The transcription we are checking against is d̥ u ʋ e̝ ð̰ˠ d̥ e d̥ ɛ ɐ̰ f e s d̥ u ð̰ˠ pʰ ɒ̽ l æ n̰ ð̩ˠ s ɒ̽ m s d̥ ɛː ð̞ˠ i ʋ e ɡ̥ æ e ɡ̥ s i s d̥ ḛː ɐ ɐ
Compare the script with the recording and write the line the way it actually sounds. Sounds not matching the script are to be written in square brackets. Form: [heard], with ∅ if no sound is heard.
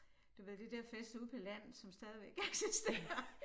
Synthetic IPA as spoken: d̥ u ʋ e̝ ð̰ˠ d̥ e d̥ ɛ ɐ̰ f e s d̥ u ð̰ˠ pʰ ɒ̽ l æ n̰ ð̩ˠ s ɒ̽ m s d̥ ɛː ð̞ˠ i ʋ e ɡ̥ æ e ɡ̥ s i s d̥ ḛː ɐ ɐ